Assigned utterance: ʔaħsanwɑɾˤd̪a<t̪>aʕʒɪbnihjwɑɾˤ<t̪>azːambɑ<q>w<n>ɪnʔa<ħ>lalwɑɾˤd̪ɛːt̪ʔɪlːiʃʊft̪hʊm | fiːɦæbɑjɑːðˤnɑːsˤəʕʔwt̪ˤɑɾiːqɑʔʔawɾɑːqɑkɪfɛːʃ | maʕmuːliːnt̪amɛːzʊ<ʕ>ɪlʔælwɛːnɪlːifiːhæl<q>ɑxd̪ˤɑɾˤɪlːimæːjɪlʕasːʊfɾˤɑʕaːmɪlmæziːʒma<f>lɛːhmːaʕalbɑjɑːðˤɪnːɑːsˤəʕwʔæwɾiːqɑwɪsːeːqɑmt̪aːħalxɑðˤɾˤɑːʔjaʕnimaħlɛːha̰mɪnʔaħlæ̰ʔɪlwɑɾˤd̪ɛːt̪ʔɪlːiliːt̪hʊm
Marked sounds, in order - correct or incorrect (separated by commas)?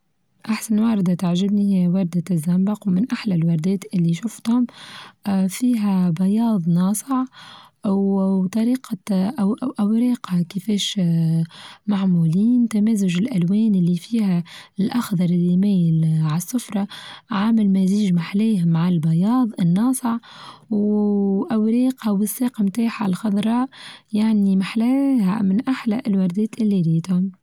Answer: correct, incorrect, correct, incorrect, correct, incorrect, incorrect, incorrect